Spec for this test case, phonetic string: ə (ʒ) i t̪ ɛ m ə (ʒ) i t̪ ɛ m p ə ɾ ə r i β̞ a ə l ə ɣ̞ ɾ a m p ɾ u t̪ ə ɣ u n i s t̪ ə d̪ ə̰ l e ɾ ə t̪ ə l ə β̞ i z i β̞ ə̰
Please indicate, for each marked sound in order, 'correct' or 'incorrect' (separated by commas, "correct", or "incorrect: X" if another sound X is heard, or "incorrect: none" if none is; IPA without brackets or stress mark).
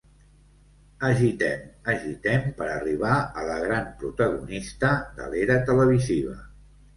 correct, correct